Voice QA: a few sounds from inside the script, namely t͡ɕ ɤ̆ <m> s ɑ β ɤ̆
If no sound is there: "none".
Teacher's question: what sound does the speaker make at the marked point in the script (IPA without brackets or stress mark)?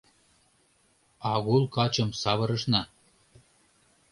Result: m